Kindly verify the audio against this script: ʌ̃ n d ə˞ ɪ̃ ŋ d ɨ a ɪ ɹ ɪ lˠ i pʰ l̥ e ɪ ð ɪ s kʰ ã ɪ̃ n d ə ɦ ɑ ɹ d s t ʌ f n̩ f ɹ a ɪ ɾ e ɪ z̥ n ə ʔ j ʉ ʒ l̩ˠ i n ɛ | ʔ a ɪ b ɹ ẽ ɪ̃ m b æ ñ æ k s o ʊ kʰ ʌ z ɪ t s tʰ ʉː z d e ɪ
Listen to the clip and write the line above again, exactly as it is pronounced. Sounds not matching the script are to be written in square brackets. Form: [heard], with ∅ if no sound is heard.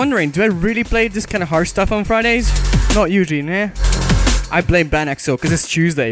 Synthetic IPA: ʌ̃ n d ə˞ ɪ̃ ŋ d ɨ a ɪ ɹ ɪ lˠ i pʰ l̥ e ɪ ð ɪ s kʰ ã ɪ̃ n d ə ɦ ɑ ɹ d s t ʌ f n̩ f ɹ a ɪ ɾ e ɪ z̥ n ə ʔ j ʉ ʒ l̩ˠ i n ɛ | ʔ a ɪ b [l] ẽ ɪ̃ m b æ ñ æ k s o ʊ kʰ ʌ z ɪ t s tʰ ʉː z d e ɪ